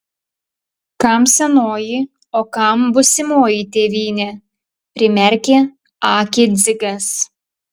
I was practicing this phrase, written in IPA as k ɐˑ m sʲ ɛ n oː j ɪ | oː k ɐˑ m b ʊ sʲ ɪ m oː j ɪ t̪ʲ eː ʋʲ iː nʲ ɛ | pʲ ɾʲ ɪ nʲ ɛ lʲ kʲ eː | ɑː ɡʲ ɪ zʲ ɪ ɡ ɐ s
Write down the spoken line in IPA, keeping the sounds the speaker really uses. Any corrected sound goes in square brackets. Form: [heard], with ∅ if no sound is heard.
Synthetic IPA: k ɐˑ m sʲ ɛ n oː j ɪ | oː k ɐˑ m b ʊ sʲ ɪ m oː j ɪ t̪ʲ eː ʋʲ iː nʲ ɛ | pʲ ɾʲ ɪ [mʲ] ɛ [ɾʲ] kʲ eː | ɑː [kʲ] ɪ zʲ ɪ ɡ ɐ s

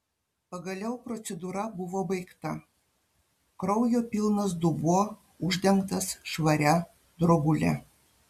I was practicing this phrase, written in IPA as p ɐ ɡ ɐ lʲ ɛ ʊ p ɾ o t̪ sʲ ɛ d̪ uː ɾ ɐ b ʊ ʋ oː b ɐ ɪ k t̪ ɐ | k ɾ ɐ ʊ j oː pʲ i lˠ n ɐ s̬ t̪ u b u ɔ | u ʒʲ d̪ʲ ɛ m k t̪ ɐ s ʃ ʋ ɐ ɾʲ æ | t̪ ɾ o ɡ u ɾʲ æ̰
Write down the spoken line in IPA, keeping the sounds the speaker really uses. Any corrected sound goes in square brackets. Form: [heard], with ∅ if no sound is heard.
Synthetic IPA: p ɐ ɡ ɐ lʲ ɛ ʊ p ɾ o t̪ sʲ ɛ d̪ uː ɾ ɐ b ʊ ʋ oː b ɐ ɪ k t̪ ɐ | k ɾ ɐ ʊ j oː pʲ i lˠ n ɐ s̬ [d̪] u b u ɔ | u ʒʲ d̪ʲ ɛ [ŋ] k t̪ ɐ s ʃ ʋ ɐ ɾʲ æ | [d̪] ɾ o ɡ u [lʲ] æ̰

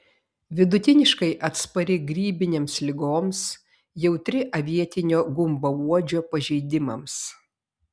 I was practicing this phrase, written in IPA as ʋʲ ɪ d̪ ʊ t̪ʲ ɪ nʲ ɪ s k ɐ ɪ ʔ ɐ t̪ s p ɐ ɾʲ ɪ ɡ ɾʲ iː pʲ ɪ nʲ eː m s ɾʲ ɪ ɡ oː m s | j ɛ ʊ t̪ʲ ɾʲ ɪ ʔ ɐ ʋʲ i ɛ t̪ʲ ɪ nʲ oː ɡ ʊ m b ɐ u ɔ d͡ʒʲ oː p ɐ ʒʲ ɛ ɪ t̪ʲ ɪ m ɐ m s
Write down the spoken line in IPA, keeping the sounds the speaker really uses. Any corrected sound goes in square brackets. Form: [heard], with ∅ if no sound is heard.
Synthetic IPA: ʋʲ ɪ d̪ ʊ t̪ʲ ɪ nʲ ɪ [ʃ] k ɐ ɪ ʔ ɐ t̪ s p ɐ ɾʲ ɪ ɡ ɾʲ iː [bʲ] ɪ nʲ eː m s [lʲ] ɪ ɡ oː m s | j ɛ ʊ t̪ʲ ɾʲ ɪ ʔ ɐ ʋʲ i ɛ t̪ʲ ɪ nʲ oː ɡ ʊ m b ɐ u ɔ d͡ʒʲ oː p ɐ ʒʲ ɛ ɪ [d̪ʲ] ɪ m ɐ m s

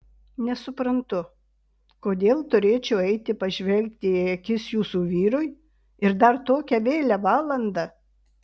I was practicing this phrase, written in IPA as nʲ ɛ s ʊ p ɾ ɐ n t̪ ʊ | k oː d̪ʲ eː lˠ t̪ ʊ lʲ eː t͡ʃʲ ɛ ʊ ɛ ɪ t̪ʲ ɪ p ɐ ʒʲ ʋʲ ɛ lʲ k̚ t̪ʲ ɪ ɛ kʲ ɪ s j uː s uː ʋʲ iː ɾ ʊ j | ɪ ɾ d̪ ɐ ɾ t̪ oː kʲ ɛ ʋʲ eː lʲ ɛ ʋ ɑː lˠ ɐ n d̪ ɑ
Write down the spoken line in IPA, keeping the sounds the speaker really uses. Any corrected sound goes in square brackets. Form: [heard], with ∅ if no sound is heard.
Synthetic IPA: nʲ ɛ s ʊ p ɾ ɐ n t̪ ʊ | k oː d̪ʲ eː lˠ t̪ ʊ [ɾʲ] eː t͡ʃʲ ɛ ʊ ɛ ɪ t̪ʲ ɪ p ɐ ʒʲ ʋʲ ɛ lʲ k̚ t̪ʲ ɪ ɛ kʲ ɪ s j uː s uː ʋʲ iː ɾ ʊ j | ɪ ɾ d̪ ɐ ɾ t̪ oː kʲ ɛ ʋʲ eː lʲ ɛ ʋ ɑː lˠ ɐ n d̪ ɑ

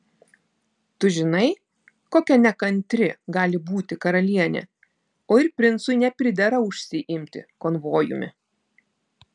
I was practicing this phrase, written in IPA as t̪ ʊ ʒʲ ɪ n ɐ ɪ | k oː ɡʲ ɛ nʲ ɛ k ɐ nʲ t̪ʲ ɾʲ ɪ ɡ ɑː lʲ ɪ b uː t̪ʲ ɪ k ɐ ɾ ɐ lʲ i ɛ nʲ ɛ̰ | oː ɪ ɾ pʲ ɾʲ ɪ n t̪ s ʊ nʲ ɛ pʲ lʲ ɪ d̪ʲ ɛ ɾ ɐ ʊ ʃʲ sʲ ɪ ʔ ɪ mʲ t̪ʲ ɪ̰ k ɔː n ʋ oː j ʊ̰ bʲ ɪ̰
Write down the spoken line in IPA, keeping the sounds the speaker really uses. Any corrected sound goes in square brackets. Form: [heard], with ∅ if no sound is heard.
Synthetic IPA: t̪ ʊ ʒʲ ɪ n ɐ ɪ | k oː [kʲ] ɛ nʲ ɛ k ɐ nʲ t̪ʲ ɾʲ ɪ ɡ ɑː lʲ ɪ b uː t̪ʲ ɪ k ɐ ɾ ɐ lʲ i ɛ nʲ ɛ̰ | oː ɪ ɾ pʲ ɾʲ ɪ n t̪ s ʊ nʲ ɛ pʲ [ɾʲ] ɪ d̪ʲ ɛ ɾ ɐ ʊ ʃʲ sʲ ɪ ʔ ɪ mʲ t̪ʲ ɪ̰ k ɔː n ʋ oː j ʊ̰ [mʲ] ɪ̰

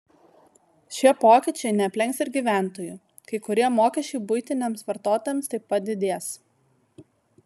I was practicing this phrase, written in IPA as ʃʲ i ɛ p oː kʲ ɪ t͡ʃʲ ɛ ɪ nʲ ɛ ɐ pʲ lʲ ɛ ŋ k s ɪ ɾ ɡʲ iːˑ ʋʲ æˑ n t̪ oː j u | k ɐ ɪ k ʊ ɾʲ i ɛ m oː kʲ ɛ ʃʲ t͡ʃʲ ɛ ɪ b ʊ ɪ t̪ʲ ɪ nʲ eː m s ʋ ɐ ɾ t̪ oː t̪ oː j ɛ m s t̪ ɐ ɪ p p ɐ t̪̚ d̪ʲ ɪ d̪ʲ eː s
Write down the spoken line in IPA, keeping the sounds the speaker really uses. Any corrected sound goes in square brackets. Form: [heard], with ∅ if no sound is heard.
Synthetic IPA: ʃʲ i ɛ p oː kʲ ɪ t͡ʃʲ ɛ ɪ nʲ ɛ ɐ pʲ lʲ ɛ ŋ k s ɪ ɾ ɡʲ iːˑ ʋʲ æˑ n t̪ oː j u | k ɐ ɪ k ʊ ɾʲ i ɛ m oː kʲ ɛ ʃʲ t͡ʃʲ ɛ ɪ b ʊ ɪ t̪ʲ ɪ nʲ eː m s ʋ ɐ ɾ t̪ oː t̪ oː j ɛ m s t̪ ɐ ɪ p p ɐ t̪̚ d̪ʲ ɪ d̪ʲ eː s

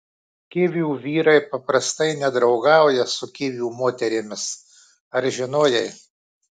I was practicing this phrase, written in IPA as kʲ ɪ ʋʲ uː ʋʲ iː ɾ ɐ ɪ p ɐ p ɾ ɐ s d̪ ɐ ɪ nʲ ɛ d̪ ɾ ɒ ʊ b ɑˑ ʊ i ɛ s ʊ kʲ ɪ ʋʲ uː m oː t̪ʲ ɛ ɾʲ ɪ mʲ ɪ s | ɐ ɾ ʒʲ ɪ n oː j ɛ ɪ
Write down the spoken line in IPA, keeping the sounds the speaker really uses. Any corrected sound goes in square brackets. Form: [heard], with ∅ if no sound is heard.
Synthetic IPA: kʲ ɪ ʋʲ uː ʋʲ iː ɾ ɐ ɪ p ɐ p ɾ ɐ s [t̪] ɐ ɪ nʲ ɛ d̪ ɾ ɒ ʊ [ɡ] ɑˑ ʊ [j] ɛ s ʊ kʲ ɪ ʋʲ uː m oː t̪ʲ ɛ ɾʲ ɪ mʲ ɪ s | ɐ ɾ ʒʲ ɪ n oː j ɛ ɪ

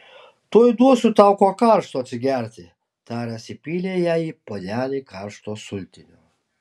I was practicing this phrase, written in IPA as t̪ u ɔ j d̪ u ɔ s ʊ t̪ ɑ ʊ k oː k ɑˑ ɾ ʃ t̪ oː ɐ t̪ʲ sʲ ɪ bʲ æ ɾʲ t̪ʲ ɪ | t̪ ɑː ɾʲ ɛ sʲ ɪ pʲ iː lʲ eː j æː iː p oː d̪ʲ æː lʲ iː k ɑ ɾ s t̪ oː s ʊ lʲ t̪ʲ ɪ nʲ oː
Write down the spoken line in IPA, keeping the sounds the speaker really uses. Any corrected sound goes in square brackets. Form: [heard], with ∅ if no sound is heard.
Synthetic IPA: t̪ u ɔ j d̪ u ɔ s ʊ t̪ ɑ ʊ k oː k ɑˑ ɾ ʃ t̪ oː ɐ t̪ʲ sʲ ɪ [ɡʲ] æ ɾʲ t̪ʲ ɪ | t̪ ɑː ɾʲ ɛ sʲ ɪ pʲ iː lʲ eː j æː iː p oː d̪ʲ æː lʲ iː k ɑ ɾ [ʃ] t̪ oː s ʊ lʲ t̪ʲ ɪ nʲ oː

